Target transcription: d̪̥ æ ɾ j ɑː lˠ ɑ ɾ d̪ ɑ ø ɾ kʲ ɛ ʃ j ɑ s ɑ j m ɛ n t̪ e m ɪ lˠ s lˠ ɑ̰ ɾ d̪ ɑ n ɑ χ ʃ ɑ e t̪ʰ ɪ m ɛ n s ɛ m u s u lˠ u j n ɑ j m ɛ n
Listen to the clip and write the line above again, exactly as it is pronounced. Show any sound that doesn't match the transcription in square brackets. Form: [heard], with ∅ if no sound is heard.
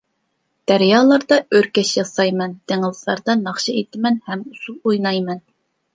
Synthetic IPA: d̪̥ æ ɾ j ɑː lˠ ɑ ɾ d̪ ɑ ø ɾ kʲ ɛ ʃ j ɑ s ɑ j m ɛ n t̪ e [ŋ] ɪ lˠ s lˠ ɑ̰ ɾ d̪ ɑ n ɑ χ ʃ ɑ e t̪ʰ ɪ m ɛ n [h] ɛ m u s u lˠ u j n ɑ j m ɛ n